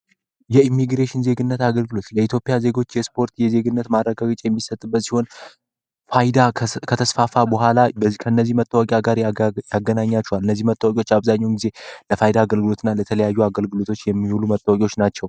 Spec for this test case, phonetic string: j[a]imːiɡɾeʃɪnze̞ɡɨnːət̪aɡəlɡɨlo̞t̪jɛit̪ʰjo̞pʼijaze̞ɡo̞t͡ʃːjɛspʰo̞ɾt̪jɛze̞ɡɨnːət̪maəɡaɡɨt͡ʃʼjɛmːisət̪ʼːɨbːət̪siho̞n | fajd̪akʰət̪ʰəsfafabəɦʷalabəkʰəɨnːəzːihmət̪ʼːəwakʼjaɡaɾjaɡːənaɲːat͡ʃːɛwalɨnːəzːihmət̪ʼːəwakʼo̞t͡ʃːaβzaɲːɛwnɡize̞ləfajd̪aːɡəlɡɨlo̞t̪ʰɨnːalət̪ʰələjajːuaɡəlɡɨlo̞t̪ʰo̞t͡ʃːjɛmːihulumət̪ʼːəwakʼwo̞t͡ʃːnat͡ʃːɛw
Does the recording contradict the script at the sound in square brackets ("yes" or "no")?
yes